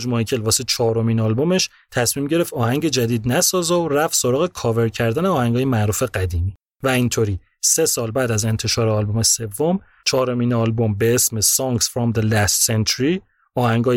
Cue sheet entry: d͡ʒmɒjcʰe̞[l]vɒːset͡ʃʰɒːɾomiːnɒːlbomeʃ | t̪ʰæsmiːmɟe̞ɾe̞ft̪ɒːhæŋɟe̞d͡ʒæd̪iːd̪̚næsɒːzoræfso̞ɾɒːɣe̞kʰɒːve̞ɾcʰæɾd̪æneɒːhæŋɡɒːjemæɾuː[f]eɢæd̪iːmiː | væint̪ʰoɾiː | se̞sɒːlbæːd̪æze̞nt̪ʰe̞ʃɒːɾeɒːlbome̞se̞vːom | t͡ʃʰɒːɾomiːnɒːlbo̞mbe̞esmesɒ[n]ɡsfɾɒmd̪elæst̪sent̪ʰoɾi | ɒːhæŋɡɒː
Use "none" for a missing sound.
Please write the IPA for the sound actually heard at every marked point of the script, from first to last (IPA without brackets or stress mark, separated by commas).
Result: l, f, ŋ